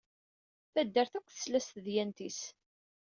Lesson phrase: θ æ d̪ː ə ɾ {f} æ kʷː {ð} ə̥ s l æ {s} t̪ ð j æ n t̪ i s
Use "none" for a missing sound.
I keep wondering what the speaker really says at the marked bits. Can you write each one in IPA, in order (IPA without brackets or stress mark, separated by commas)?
θ, θ, s